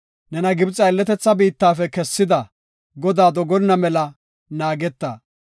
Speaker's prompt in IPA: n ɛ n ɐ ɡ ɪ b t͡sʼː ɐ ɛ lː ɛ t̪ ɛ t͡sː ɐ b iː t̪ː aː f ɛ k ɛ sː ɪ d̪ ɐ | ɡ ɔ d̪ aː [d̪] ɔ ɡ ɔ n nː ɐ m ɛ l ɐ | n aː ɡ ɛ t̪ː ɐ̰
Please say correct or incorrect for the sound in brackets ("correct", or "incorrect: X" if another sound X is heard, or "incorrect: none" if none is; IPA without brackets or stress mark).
correct